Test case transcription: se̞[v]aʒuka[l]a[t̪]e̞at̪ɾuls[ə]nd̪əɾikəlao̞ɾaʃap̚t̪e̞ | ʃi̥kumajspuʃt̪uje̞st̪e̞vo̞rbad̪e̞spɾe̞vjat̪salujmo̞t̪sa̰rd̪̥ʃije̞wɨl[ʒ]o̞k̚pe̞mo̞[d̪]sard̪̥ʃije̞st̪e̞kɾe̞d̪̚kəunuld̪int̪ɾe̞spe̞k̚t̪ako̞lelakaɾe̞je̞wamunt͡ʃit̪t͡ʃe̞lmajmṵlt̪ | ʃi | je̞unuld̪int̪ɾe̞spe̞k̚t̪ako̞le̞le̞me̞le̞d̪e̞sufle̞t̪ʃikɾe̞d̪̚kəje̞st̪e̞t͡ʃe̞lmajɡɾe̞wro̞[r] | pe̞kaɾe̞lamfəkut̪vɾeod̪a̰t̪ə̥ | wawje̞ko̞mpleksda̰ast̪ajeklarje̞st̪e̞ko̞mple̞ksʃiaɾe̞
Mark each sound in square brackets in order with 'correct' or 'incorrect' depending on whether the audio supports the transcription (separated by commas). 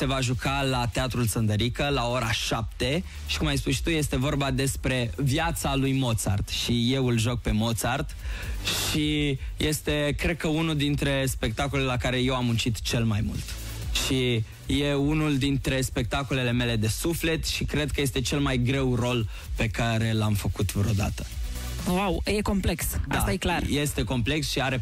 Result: correct, correct, correct, correct, correct, incorrect, incorrect